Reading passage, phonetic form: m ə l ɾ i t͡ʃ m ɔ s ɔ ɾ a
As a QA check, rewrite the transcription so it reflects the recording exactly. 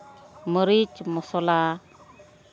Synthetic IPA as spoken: m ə ɾ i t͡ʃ m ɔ s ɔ l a

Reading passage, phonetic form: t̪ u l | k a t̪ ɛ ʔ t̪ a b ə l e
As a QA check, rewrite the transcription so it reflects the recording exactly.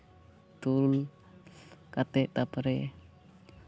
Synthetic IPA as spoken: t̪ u l | k a t̪ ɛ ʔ t̪ a p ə ɾ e

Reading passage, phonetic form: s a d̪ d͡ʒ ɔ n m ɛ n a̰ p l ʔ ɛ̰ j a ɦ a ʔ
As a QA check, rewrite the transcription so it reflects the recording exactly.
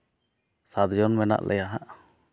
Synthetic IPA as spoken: s a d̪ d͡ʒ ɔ n m ɛ n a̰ ʔ l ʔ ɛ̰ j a ɦ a ʔ

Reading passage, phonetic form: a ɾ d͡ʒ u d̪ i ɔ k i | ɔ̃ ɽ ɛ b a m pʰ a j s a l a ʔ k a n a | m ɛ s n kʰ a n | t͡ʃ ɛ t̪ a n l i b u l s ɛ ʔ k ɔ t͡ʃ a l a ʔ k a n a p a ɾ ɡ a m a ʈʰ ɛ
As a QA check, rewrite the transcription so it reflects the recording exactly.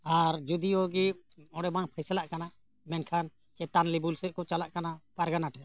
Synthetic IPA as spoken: a ɾ d͡ʒ u d̪ i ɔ ɡ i | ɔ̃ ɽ ɛ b a ŋ pʰ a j s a l a ʔ k a n a | m ɛ n kʰ a n | t͡ʃ ɛ t̪ a n l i b u l s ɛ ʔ k ɔ t͡ʃ a l a ʔ k a n a p a ɾ ɡ a n a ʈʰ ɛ

